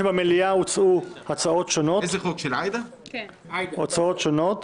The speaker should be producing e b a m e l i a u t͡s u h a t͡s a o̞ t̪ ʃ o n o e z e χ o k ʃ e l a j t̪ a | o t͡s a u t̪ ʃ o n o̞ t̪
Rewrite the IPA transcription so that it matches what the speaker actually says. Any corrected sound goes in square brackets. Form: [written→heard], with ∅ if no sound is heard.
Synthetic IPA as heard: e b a m e l i a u t͡s u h a t͡s a o̞ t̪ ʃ o n o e z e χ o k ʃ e l a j [t̪→d̪] a | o t͡s a [u→o] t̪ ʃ o n o̞ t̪